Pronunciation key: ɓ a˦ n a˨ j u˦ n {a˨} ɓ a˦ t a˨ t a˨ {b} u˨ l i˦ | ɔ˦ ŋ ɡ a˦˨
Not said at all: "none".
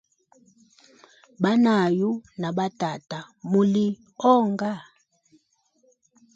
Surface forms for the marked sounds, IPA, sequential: a˨, m

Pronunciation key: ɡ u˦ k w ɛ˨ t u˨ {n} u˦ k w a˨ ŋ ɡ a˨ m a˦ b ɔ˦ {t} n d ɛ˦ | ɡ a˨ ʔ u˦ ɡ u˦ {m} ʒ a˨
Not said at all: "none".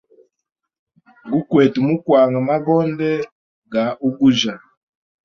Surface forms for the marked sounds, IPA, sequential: m, none, none

